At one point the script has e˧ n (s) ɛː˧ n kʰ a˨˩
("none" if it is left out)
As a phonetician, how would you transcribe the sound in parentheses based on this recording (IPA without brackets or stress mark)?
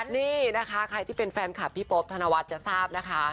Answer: f